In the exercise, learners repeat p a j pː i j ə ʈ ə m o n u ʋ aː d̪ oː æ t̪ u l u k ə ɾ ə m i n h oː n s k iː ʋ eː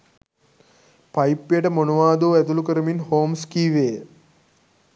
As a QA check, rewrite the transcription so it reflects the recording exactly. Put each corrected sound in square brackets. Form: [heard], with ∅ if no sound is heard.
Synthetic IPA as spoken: p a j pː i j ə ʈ ə m o n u ʋ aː d̪ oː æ t̪ u l u k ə ɾ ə m i n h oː [m] s k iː ʋ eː